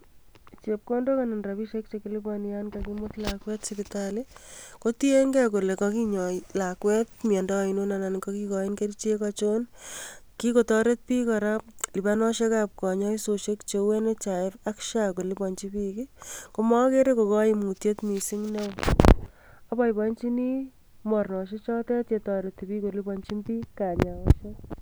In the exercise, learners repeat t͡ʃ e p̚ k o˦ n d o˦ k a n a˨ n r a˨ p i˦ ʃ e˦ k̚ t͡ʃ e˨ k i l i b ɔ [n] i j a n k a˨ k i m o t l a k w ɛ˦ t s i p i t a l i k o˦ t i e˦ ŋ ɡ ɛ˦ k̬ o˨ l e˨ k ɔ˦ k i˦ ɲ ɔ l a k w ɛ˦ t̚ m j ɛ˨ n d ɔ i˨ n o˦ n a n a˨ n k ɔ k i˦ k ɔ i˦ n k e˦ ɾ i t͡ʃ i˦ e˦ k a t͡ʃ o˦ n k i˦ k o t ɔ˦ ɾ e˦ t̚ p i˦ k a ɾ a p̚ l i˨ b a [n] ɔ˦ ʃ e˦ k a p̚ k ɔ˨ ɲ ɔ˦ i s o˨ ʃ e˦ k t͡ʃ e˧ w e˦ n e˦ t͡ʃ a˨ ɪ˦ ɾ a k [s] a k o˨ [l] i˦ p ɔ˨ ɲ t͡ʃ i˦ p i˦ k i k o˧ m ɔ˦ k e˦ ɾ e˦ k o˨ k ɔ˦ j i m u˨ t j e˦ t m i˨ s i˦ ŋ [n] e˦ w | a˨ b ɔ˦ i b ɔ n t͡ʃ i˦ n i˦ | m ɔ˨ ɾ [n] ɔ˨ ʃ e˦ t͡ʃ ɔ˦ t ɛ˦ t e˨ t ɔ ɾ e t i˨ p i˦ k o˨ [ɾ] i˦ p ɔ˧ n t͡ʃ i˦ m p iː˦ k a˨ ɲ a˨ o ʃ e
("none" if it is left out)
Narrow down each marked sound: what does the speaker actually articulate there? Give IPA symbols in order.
n, n, ʃ, l, n, n, l

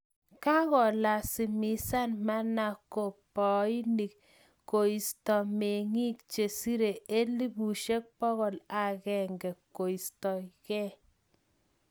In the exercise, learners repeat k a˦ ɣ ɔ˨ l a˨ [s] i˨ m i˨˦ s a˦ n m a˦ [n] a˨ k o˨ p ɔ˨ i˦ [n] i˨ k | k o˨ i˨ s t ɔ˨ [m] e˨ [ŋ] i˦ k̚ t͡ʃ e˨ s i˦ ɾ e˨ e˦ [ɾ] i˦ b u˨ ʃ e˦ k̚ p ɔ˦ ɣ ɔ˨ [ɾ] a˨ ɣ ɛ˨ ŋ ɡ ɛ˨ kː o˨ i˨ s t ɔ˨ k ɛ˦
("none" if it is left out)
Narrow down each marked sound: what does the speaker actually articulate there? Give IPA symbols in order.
s, n, n, m, ŋ, l, l

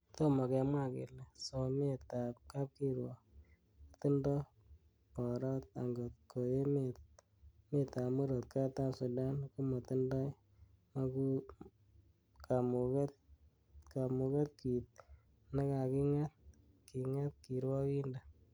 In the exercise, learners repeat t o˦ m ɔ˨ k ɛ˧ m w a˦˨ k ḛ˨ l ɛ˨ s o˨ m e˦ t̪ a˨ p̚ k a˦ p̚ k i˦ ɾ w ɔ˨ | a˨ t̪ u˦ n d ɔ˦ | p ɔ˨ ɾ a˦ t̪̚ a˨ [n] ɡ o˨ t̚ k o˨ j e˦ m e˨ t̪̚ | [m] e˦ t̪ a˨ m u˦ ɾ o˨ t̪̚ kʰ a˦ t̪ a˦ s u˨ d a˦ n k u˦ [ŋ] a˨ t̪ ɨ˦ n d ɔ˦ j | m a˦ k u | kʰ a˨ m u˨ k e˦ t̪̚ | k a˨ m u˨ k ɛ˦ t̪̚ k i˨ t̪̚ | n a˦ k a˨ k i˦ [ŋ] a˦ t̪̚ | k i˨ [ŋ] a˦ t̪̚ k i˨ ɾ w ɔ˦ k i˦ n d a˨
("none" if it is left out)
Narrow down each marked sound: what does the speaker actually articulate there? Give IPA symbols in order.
ŋ, m, m, ŋ, ŋ

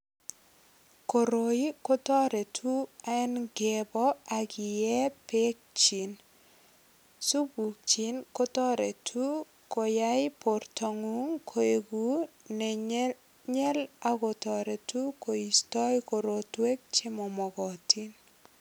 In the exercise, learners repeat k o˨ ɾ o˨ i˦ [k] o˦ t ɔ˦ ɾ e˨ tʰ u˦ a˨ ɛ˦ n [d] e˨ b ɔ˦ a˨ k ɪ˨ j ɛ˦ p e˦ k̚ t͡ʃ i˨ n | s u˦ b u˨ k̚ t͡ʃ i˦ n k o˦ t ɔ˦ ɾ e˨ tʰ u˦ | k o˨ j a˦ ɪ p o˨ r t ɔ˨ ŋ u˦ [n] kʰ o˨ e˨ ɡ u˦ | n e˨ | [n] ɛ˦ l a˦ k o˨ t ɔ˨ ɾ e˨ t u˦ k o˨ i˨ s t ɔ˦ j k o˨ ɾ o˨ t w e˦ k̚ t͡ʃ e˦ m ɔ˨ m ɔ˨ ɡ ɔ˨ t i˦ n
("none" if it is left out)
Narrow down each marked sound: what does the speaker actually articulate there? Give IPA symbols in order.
k, ɡ, ŋ, ɲ

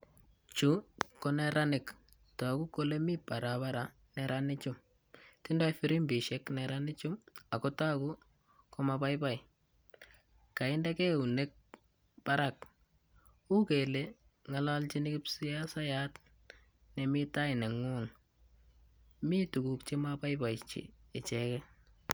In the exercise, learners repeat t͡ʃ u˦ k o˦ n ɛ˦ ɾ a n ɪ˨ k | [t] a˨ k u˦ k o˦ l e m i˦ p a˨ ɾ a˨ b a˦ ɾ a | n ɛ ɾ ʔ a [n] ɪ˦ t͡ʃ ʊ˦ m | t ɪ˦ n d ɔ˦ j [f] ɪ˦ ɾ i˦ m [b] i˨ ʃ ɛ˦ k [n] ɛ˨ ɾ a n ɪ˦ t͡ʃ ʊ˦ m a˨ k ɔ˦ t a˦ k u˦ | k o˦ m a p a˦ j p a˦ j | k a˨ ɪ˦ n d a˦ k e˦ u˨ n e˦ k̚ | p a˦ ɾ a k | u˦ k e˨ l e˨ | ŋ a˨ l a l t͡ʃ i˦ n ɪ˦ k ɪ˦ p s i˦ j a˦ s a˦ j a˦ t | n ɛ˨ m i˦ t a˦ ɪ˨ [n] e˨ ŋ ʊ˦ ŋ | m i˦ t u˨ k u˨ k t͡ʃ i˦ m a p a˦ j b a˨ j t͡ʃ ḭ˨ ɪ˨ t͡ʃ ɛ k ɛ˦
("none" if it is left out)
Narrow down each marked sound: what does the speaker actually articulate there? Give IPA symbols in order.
t, n, f, b, n, n

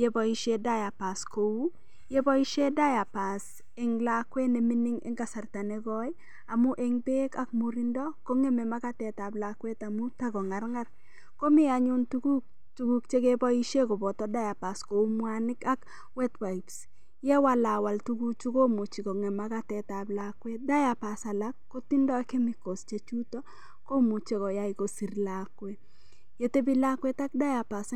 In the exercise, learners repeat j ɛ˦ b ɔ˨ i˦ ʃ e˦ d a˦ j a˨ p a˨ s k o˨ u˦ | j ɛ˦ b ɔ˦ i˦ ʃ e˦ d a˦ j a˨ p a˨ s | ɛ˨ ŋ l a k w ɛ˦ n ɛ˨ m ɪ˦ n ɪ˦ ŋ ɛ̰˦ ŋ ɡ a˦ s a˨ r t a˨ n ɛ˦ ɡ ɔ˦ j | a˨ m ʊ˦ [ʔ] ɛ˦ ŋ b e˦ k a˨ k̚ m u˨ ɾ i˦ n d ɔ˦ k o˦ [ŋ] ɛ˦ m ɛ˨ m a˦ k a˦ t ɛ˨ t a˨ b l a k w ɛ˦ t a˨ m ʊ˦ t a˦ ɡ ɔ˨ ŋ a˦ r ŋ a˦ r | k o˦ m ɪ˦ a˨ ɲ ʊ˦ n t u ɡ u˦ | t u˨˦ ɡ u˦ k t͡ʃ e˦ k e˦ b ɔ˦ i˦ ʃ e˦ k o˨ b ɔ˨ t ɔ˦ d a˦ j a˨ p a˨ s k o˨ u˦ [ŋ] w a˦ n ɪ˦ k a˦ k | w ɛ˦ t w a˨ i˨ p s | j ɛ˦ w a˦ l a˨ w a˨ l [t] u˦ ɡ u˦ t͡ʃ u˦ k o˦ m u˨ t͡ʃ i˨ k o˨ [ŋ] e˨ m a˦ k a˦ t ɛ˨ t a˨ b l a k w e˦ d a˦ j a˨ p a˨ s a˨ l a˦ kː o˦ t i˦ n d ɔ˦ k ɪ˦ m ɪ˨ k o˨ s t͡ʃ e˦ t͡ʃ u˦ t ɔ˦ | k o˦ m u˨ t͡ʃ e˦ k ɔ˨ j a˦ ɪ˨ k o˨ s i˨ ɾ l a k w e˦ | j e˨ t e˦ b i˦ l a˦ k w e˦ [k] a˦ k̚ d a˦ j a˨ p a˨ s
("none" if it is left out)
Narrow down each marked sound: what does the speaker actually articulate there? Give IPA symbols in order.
ʔ, ŋ, m, t, ŋ, t

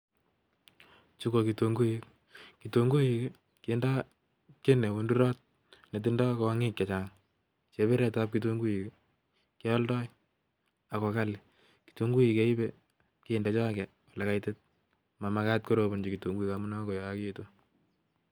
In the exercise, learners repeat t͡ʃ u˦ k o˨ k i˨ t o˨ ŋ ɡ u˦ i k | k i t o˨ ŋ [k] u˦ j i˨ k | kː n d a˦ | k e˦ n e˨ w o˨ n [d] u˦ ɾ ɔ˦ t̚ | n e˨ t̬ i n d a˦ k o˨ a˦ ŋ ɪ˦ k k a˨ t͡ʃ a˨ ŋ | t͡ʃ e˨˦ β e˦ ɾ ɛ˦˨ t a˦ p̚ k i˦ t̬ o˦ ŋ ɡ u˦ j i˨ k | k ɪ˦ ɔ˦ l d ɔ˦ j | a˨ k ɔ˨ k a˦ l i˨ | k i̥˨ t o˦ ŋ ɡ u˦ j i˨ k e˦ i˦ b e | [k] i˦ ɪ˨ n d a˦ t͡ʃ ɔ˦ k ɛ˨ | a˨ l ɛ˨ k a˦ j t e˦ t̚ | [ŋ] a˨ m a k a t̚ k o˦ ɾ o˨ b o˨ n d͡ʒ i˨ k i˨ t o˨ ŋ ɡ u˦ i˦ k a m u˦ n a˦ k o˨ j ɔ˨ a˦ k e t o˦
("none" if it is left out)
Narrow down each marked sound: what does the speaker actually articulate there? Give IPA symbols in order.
ɡ, d, k, m

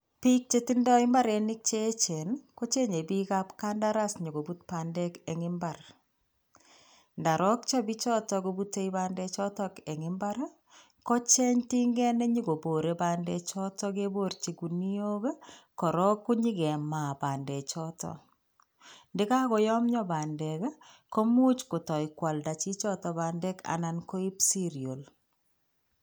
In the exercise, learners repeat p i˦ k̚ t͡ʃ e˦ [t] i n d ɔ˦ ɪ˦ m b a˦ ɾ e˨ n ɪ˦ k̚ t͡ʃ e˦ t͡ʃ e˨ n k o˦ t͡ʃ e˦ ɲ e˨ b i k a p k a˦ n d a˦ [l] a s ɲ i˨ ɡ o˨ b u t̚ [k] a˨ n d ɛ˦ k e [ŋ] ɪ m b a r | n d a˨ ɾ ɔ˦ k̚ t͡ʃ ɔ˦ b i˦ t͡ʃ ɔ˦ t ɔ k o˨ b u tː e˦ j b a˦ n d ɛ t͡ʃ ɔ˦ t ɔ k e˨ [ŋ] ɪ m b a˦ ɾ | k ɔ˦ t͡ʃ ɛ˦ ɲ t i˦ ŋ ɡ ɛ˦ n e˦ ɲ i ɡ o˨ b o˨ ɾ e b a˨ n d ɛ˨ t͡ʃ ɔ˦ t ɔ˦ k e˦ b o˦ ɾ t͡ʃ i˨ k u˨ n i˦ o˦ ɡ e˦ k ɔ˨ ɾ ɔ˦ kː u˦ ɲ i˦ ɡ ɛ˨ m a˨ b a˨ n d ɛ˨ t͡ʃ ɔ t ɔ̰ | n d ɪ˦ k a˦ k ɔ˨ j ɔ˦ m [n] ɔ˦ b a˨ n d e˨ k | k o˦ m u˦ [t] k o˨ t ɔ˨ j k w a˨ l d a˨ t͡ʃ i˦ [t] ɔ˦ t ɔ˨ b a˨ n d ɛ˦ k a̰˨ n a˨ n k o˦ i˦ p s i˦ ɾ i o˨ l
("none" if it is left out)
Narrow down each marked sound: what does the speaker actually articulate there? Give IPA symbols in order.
t, ɾ, p, ŋ, ŋ, ɲ, t͡ʃ, t͡ʃ

